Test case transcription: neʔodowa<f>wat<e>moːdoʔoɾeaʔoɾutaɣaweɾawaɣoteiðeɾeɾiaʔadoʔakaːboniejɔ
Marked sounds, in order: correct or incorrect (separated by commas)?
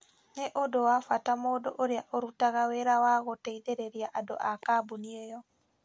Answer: correct, incorrect